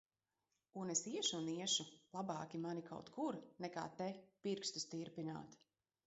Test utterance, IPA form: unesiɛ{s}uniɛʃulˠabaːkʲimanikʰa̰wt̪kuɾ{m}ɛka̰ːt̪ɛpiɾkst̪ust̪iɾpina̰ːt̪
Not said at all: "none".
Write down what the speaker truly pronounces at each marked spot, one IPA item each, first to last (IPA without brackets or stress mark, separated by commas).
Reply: ʃ, n